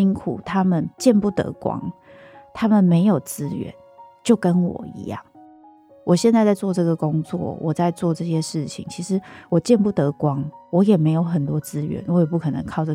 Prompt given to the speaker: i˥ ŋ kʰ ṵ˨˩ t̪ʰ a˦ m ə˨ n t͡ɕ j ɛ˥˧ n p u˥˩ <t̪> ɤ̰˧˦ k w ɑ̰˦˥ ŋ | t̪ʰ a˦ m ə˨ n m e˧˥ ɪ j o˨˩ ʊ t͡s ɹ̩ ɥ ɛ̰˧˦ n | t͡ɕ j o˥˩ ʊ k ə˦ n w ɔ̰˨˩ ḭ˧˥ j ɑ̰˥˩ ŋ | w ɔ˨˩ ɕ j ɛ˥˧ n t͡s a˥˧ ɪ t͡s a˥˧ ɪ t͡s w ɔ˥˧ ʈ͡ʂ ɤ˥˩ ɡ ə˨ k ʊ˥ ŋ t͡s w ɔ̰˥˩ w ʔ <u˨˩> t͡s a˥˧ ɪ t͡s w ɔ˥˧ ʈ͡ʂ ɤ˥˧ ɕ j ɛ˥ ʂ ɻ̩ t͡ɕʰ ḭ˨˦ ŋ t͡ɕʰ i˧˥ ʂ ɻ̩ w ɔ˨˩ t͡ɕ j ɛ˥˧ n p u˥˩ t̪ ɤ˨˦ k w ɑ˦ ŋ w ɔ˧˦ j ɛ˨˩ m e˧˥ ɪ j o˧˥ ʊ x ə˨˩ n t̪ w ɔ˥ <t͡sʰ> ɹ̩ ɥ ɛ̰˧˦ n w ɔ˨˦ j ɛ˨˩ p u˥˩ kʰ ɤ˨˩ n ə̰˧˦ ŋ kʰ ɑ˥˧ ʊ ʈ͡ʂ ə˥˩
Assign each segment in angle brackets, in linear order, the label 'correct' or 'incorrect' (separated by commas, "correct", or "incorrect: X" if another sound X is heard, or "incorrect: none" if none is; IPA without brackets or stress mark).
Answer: correct, incorrect: ɔ˨˩, incorrect: t͡s